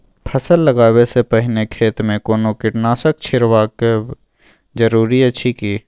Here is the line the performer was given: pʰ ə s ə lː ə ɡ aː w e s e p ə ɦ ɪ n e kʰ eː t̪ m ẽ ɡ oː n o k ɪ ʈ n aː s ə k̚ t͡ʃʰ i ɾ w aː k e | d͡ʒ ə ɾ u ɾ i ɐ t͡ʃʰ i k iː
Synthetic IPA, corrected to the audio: pʰ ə s ə lː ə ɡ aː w e s e p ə ɦ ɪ n e kʰ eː t̪ m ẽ k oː n o k ɪ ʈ n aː s ə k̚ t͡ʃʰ ɪ ɾ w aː k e | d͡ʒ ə ɾ uː ɾ i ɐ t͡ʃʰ i k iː